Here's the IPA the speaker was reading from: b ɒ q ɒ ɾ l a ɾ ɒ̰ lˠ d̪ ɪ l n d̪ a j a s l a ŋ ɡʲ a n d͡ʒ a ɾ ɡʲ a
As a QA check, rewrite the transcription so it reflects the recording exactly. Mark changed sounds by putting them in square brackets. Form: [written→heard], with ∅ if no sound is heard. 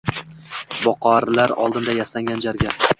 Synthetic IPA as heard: b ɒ q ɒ ɾ l a ɾ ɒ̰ lˠ d̪ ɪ [l→∅] n d̪ a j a s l a ŋ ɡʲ a n d͡ʒ a ɾ ɡʲ a

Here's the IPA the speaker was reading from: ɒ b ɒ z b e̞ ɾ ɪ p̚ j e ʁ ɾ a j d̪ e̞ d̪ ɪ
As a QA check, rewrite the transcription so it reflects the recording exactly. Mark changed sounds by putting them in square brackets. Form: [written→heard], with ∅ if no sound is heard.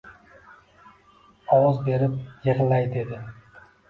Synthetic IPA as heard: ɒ [b→w] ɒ z b e̞ ɾ ɪ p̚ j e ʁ [ɾ→l] a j d̪ e̞ d̪ ɪ

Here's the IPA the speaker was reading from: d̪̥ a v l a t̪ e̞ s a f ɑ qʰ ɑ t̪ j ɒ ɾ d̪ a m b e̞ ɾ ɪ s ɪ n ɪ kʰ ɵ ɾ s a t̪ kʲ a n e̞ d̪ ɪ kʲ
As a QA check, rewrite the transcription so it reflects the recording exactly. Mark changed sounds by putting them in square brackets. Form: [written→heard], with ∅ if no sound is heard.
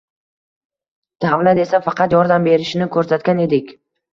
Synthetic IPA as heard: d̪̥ a v l a t̪ e̞ s a f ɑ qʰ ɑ t̪ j ɒ ɾ d̪ a m b e̞ ɾ ɪ [s→ʃ] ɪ n ɪ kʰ ɵ ɾ s a t̪ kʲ a n e̞ d̪ ɪ kʲ

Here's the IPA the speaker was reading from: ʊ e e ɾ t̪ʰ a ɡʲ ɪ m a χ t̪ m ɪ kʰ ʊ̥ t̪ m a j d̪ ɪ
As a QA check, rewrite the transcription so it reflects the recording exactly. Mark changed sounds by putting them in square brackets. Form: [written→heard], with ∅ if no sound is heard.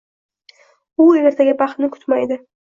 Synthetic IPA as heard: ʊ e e ɾ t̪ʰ a ɡʲ ɪ [m→b] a χ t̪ [m→n] ɪ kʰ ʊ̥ t̪ m a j d̪ ɪ

